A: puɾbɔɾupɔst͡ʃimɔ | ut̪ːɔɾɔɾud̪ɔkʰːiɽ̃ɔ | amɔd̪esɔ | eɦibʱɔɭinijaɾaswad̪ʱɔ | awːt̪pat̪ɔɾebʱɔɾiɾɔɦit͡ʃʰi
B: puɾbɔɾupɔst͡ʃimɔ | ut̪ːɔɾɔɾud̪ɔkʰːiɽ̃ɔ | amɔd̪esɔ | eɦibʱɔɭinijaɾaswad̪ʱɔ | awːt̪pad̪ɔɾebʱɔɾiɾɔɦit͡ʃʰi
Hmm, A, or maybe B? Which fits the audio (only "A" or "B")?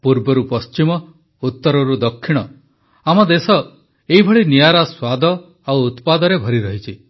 B